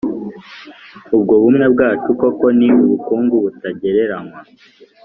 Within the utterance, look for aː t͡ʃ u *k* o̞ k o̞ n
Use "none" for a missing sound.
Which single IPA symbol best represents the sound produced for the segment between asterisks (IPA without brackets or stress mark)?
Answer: k